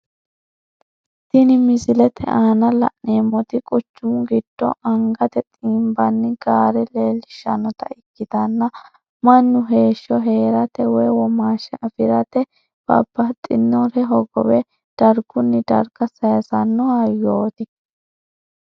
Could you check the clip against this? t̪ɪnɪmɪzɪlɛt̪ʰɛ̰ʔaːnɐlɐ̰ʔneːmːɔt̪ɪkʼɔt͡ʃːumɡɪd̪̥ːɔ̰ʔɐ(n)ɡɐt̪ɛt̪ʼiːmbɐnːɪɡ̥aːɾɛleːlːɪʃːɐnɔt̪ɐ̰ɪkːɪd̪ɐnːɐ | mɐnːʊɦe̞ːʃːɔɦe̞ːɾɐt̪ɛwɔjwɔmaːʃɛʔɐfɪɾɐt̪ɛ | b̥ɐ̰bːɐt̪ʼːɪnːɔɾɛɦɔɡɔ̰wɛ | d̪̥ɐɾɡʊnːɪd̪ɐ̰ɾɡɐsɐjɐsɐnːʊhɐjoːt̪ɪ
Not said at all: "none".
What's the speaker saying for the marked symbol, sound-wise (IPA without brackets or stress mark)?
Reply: ŋ